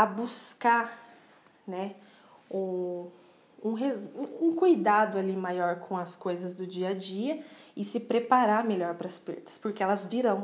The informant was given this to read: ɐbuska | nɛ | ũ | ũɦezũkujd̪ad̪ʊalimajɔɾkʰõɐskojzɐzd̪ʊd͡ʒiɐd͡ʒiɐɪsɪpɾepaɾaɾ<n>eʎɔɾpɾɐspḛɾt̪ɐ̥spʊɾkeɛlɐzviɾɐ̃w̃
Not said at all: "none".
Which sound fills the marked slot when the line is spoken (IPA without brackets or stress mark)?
m